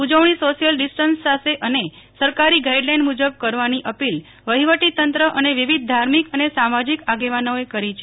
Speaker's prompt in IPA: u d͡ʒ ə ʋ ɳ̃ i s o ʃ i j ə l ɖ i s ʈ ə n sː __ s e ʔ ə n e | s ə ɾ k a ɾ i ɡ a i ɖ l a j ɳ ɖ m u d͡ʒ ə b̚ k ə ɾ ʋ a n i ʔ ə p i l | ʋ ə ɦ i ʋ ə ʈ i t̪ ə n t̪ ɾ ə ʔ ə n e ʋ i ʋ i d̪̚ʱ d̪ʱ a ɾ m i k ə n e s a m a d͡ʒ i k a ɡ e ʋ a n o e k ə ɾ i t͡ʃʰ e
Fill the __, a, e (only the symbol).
a